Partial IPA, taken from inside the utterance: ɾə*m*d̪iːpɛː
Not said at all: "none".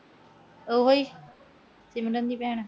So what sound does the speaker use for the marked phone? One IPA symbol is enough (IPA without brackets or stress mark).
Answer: n